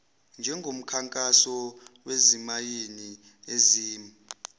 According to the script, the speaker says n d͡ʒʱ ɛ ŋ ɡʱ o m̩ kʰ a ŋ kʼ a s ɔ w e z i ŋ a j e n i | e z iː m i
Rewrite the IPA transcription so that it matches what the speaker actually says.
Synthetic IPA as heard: n d͡ʒʱ ɛ ŋ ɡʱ o m̩ kʰ a ŋ kʼ a s ɔ w e z i m a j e n i | e z iː m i